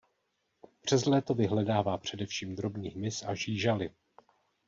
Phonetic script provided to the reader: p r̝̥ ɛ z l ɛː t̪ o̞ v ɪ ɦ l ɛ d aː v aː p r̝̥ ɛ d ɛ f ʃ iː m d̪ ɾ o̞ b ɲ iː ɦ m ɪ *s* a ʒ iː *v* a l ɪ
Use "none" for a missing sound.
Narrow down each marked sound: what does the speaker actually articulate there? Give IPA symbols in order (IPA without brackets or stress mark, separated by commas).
s, ʒ